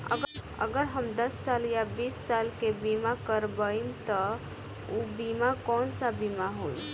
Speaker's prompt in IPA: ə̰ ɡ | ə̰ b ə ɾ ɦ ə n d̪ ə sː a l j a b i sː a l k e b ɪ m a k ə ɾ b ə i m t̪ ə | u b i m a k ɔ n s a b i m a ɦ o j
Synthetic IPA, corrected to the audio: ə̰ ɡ | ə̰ ɡ ə ɾ ɦ ə m d̪ ə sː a l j a b i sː a l k e b i m a k ə ɾ b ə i m t̪ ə | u b i m a k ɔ n s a b i m a ɦ o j

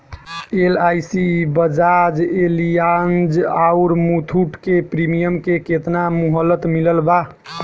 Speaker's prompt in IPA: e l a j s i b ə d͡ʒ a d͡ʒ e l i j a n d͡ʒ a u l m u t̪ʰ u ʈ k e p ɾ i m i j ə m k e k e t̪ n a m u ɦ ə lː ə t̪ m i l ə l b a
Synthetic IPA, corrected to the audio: e l a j s i b ə d͡ʒ a d͡ʒ e l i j a n d͡ʒ a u ɾ m u t̪ʰ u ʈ k e p ɾ i m i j ə m k e k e t̪ n a m u ɦ ə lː ə t̪ m i l ə l b a

